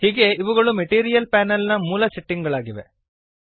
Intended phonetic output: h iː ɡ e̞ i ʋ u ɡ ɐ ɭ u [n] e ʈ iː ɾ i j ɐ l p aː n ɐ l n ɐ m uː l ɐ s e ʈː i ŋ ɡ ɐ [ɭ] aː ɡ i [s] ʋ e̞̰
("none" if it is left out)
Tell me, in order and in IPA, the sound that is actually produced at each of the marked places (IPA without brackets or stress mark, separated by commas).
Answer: m, ɭ, none